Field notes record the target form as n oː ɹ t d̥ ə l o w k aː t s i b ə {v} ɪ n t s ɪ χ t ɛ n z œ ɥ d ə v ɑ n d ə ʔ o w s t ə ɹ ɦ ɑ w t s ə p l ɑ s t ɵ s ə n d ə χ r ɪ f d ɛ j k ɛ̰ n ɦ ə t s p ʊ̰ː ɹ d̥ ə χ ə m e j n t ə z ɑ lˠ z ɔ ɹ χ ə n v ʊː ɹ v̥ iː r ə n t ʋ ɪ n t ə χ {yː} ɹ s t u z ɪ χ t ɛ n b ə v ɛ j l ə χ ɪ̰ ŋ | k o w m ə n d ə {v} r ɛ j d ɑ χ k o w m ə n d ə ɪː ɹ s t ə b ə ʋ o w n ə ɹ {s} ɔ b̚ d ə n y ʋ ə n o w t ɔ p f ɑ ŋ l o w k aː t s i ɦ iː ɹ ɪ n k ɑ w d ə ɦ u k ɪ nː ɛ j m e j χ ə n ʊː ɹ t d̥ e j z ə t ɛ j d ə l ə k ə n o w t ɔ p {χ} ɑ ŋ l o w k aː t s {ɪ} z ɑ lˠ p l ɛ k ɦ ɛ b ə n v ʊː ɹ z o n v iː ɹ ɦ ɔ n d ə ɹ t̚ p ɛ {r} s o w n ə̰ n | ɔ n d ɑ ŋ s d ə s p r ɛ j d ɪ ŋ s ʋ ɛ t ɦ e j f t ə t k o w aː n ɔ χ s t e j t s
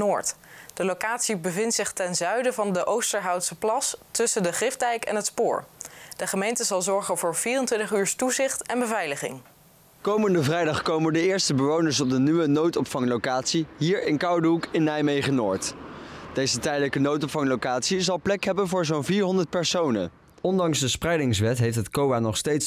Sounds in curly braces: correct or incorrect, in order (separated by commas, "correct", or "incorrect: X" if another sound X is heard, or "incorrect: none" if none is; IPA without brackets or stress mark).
correct, correct, correct, correct, incorrect: f, incorrect: i, incorrect: ɹ